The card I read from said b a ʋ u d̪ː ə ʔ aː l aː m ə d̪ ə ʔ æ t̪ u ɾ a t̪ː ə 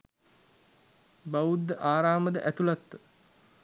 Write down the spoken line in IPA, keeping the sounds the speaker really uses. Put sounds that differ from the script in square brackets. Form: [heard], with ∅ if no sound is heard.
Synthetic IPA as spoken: b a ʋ u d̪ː ə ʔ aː [ɾ] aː m ə d̪ ə ʔ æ t̪ u [l] a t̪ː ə